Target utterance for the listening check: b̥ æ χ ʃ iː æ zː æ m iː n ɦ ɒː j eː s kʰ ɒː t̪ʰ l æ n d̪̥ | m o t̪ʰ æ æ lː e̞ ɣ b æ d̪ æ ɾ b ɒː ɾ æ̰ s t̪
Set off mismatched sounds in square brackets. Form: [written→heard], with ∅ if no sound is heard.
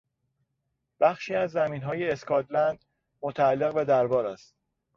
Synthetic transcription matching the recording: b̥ æ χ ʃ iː æ zː æ m iː n ɦ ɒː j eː s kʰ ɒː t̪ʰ l æ n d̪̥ | m o t̪ʰ æ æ lː e̞ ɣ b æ d̪ æ ɾ b ɒː ɾ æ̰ s t̪